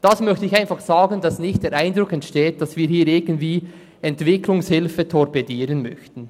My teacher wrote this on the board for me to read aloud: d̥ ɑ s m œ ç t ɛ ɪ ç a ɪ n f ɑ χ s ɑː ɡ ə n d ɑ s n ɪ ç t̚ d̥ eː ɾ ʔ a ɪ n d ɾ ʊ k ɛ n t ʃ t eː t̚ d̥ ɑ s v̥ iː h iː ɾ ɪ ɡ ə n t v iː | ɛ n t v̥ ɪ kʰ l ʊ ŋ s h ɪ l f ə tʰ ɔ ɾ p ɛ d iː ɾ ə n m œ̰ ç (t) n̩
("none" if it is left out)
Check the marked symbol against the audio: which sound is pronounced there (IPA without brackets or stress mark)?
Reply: t